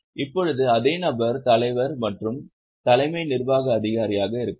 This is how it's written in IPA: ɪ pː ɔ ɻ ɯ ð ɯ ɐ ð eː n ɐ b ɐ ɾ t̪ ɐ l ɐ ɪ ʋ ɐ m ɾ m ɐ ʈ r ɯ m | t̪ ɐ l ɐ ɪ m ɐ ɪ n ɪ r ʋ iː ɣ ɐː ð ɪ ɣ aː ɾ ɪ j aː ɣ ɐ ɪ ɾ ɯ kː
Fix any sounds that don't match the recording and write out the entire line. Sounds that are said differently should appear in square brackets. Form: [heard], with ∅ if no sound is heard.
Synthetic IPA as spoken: ɪ pː ɔ ɻ ɯ ð ɯ ɐ ð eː n ɐ b ɐ ɾ t̪ ɐ l ɐ ɪ ʋ ɐ [∅] ɾ m ɐ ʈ r ɯ m | t̪ ɐ l ɐ ɪ m ɐ ɪ n ɪ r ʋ [aː] ɣ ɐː ð ɪ ɣ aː ɾ ɪ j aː ɣ ɐ ɪ ɾ ɯ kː